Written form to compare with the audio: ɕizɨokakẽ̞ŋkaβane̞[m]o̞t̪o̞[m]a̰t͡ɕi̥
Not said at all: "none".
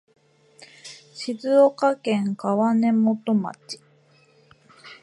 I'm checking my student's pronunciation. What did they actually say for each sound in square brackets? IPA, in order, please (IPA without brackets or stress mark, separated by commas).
m, m